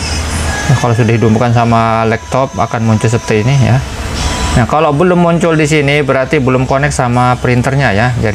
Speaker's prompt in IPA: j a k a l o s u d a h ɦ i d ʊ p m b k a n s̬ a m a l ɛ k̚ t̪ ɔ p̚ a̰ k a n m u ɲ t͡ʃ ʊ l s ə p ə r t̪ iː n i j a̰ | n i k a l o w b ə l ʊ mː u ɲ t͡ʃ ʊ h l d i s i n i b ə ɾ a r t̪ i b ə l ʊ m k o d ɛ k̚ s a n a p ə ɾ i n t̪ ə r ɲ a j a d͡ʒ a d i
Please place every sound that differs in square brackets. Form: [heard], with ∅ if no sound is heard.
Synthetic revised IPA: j a k a l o s u d a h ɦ i d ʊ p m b k a n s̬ a m a l ɛ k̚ t̪ ɔ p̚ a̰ k a n m u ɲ t͡ʃ ʊ l s ə p ə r t̪ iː n i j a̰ | n [a] k a l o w b ə l ʊ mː u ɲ t͡ʃ ʊ [∅] l d i s i n i b ə ɾ a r t̪ i b ə l ʊ m k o [n] ɛ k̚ s a [m] a p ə ɾ i n t̪ ə r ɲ a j a d͡ʒ a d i